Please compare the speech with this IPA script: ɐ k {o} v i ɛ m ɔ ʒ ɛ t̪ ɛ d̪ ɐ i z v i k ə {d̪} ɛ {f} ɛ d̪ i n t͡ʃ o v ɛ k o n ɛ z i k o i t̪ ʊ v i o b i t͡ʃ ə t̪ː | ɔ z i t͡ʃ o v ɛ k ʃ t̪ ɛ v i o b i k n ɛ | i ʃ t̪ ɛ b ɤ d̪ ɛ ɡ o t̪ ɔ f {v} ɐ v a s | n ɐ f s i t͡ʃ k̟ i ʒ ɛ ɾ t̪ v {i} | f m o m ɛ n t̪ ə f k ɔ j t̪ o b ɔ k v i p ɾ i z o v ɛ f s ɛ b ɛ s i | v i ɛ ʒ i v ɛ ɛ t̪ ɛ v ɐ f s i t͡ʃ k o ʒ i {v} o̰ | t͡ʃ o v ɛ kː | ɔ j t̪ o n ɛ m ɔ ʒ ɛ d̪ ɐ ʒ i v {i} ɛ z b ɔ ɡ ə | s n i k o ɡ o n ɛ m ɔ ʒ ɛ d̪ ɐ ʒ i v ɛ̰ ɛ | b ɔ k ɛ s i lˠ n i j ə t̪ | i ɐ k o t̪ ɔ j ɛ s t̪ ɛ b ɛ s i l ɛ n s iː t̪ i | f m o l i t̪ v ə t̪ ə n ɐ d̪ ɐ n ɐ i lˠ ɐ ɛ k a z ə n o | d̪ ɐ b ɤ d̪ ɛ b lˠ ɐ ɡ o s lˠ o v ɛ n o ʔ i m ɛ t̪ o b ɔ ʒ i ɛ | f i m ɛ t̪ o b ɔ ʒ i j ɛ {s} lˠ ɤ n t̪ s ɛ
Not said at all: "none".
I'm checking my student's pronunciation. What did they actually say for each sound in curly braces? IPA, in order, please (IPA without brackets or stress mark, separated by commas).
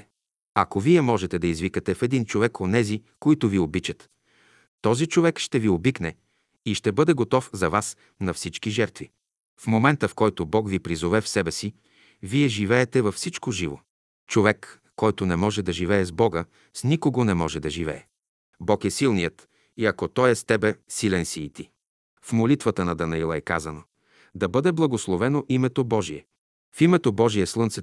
o, t̪, f, z, i, v, ɛ, s